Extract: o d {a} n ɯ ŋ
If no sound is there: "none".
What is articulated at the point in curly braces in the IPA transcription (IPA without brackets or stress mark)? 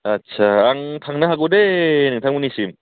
e